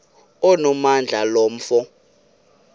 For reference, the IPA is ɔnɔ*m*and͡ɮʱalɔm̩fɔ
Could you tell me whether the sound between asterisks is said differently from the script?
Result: no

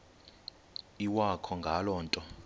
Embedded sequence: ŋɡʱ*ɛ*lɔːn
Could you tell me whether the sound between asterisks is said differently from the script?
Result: yes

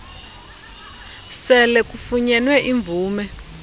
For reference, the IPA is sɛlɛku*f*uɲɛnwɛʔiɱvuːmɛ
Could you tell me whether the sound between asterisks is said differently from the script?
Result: no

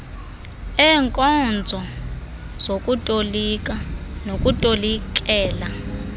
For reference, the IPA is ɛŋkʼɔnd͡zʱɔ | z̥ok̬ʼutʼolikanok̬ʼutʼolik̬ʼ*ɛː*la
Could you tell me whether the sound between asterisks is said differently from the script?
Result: no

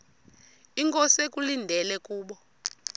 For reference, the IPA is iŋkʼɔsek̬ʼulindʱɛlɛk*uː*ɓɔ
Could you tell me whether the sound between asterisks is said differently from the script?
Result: no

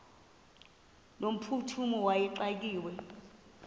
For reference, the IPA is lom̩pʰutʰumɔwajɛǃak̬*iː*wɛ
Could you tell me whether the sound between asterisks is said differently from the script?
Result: no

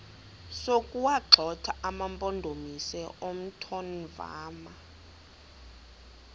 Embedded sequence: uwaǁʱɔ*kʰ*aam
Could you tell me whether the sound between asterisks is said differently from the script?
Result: yes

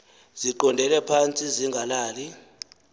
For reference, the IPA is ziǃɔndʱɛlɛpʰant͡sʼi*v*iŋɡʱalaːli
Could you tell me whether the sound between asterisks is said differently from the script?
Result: yes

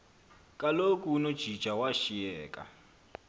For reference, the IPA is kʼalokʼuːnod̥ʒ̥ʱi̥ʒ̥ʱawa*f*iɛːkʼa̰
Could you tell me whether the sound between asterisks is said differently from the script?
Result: yes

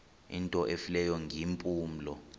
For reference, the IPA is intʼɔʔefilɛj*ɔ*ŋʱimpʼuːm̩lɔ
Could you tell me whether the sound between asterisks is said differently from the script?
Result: no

